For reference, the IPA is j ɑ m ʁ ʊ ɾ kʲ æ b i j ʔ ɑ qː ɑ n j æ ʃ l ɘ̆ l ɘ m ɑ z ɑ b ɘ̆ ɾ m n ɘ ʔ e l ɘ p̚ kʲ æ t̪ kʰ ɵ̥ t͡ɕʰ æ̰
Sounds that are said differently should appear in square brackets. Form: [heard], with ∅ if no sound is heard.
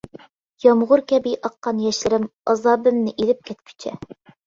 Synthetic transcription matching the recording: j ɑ m ʁ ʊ ɾ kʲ æ b i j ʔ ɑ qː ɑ n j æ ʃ l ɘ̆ [ɾ] ɘ m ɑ z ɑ b ɘ̆ [∅] m n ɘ ʔ [i] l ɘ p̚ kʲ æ t̪ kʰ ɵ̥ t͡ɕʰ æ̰